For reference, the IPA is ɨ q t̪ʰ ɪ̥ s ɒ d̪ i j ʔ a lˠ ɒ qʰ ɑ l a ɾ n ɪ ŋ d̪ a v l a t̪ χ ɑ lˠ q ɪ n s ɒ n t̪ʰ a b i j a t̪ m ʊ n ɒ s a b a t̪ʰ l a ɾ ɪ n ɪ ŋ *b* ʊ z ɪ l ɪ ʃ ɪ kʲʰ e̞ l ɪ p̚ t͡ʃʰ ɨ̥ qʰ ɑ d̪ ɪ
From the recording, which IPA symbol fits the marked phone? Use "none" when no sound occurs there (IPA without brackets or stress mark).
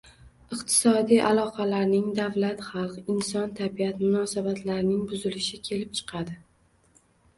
b